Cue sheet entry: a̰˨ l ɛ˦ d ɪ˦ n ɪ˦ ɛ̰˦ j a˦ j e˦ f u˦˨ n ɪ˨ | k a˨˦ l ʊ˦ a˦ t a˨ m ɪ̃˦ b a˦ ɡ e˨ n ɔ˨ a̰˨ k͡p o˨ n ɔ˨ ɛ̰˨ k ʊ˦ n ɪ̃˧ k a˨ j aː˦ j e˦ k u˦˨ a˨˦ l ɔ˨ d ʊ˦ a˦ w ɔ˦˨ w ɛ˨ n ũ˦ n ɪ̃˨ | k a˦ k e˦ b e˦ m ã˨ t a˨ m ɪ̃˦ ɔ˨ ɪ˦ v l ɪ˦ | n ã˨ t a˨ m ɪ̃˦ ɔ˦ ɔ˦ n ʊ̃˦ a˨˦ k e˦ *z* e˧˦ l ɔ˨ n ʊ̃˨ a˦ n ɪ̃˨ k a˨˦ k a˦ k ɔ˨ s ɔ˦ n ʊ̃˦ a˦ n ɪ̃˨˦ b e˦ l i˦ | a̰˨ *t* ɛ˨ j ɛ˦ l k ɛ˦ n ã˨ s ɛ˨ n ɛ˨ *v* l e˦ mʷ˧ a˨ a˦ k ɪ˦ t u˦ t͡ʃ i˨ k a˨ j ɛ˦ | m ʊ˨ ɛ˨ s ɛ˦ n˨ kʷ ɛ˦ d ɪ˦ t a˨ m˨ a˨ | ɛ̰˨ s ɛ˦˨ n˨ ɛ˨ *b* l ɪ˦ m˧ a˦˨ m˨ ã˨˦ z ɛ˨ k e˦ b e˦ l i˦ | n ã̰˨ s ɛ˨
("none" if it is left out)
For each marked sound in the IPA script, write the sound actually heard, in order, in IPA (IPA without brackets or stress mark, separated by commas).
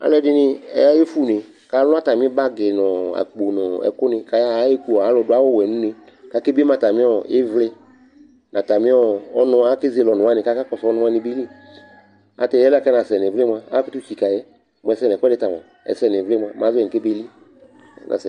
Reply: z, t, v, v